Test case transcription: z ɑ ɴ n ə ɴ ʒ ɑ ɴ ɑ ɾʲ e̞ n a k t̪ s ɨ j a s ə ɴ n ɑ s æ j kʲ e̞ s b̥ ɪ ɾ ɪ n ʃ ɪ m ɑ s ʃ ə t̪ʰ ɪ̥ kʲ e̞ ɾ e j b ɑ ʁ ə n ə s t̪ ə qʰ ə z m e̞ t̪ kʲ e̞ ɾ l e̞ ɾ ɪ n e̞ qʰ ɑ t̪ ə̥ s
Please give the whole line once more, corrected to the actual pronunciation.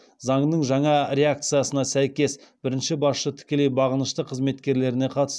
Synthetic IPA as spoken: z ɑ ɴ n ə ɴ ʒ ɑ ɴ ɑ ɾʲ e̞ a k t̪ s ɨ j a s ə n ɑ s æ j kʲ e̞ s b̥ ɪ ɾ ɪ n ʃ ɪ b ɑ s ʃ ə t̪ʰ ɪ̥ kʲ e̞ l e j b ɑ ʁ ə n ə ʃ t̪ ə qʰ ə z m e̞ t̪ kʲ e̞ ɾ l e̞ ɾ ɪ n e̞ qʰ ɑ t̪ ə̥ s

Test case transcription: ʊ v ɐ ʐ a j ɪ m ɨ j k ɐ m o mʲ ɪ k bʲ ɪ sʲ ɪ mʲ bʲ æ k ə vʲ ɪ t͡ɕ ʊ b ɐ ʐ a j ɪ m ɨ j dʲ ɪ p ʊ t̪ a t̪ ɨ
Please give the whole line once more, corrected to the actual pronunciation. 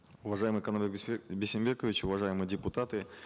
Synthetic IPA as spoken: ʊ v ɐ ʐ a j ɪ m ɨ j k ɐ n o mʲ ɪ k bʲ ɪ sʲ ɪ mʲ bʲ e k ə vʲ ɪ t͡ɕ ʊ v ɐ ʐ a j ɪ m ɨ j dʲ ɪ p ʊ t̪ a t̪ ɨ

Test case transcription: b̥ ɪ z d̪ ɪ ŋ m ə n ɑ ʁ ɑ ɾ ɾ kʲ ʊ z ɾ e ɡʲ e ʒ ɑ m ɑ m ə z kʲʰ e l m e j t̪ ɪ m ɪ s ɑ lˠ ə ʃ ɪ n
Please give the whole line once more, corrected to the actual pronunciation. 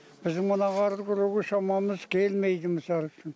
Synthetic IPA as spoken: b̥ ɪ z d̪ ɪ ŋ m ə n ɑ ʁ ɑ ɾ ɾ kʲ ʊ ɾ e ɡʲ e ʃ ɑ m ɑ m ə z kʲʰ e l m e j d̪ ɪ m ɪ s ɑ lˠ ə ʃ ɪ n

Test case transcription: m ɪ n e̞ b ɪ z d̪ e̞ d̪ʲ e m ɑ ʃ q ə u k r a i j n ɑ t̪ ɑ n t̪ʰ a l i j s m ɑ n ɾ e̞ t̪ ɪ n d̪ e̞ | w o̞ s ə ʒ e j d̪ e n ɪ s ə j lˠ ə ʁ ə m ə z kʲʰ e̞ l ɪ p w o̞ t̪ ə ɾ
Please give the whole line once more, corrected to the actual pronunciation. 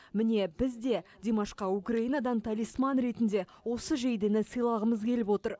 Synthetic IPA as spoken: m ɪ n e̞ b ɪ z d̪ e̞ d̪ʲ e m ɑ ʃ q ɑ u k r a i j n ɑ d̪ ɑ n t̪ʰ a l i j s m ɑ n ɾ e̞ t̪ ɪ n d̪ e̞ | w o̞ s ə ʒ e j d̪ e n ɪ s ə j lˠ ɑ ʁ ə m ə z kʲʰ e̞ l ɪ p w o̞ t̪ ə ɾ

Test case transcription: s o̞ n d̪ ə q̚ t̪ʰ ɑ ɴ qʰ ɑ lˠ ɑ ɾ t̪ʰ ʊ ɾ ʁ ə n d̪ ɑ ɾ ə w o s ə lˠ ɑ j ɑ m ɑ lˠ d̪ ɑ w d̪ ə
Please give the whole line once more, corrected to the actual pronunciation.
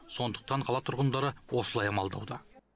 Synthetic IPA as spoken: s o̞ n d̪ ə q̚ t̪ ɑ ɴ qʰ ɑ lˠ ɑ t̪ʰ ʊ ɾ ʁ ə n d̪ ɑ ɾ ə w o s ə lˠ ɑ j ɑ m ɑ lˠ d̪ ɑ w d̪ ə

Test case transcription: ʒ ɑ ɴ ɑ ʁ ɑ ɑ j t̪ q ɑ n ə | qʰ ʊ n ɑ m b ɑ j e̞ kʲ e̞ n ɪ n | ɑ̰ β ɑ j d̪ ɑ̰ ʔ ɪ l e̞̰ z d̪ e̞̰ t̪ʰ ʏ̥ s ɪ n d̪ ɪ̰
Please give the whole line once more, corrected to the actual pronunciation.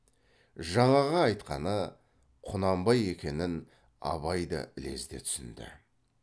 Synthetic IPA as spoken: ʒ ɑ ɴ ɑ ʁ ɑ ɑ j t̪ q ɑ n ə | qʰ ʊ n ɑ m b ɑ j e̞ kʲ e̞ n ɪ n | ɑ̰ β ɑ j d̪ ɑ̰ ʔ ɪ l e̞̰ z d̪ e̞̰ t̪ʰ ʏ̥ s ɪ n d̪ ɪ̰

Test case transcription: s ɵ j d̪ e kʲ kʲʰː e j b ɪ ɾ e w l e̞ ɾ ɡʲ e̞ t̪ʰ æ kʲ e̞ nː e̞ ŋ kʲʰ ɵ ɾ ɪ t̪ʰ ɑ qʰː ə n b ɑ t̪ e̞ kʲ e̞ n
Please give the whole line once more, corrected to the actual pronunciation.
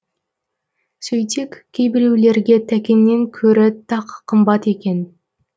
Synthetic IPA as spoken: s ɵ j t̪ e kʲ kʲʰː e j b ɪ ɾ e w l e̞ ɾ ɡʲ e̞ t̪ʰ æ kʲ e̞ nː e̞ ŋ kʲʰ ɵ ɾ ɪ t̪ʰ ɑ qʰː ə m b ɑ t̪ e̞ kʲ e̞ n

